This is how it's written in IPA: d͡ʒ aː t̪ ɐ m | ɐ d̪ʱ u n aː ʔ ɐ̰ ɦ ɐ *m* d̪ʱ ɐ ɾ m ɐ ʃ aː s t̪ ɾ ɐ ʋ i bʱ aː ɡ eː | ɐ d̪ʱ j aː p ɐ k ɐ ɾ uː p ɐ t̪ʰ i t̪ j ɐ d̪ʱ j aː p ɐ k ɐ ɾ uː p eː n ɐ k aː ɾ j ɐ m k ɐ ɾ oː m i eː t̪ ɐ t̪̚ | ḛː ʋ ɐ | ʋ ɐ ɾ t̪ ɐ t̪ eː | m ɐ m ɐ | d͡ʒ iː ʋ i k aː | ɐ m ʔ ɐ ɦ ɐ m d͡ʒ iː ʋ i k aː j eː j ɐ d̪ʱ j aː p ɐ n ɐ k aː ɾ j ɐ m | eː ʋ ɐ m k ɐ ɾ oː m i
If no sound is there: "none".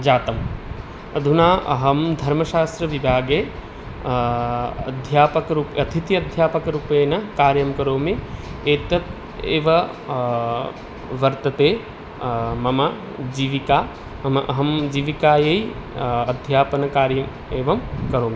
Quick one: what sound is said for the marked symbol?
m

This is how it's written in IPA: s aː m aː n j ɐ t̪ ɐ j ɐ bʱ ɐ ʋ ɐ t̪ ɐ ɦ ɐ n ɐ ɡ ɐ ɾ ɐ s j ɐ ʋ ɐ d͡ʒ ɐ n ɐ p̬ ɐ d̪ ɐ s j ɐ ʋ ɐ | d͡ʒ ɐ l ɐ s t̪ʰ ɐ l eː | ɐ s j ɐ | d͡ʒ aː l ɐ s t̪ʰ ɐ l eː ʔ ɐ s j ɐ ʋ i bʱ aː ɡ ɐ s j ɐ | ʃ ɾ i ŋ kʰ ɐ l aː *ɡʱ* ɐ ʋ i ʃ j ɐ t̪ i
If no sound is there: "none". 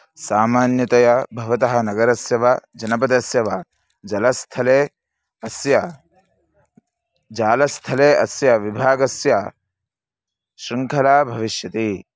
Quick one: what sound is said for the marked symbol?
bʱ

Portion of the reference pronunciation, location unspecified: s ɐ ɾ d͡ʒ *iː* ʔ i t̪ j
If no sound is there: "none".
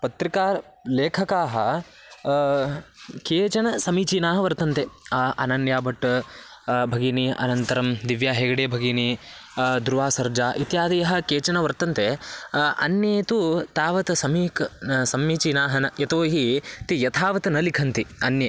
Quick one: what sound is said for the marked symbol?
aː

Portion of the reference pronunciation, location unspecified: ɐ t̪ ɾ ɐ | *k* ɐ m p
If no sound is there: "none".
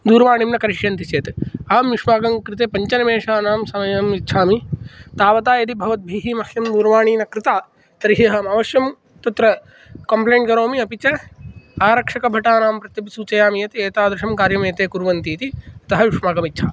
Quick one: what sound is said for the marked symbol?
k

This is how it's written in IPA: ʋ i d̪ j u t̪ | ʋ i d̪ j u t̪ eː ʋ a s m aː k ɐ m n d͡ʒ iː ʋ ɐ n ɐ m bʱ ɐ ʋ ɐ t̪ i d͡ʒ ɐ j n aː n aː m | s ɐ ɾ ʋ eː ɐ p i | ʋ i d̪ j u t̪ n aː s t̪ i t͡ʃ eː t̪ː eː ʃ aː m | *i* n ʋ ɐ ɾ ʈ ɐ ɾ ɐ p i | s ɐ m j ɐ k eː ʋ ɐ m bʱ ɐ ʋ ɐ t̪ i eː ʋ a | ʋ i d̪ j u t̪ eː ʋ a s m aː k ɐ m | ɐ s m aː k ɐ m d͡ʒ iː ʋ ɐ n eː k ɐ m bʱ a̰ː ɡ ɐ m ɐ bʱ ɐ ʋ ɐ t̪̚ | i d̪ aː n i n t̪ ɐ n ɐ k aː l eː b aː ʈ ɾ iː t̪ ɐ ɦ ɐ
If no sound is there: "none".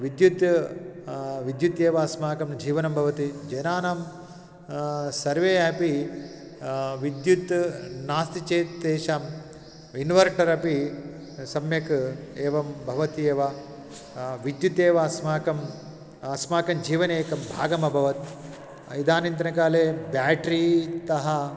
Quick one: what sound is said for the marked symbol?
i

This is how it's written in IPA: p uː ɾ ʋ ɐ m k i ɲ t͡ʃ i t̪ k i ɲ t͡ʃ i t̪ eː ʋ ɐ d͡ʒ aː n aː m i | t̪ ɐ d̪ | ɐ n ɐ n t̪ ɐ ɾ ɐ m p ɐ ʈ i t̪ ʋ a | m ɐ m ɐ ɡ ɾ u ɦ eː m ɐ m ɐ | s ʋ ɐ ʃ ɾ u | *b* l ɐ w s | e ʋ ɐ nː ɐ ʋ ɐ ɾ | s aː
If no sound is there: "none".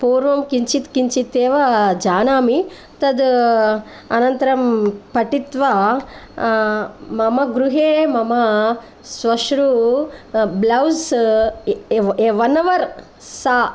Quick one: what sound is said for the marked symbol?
b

